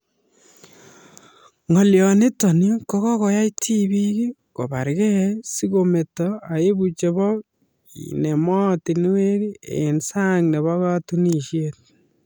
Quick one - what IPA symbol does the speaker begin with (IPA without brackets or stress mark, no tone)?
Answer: ŋ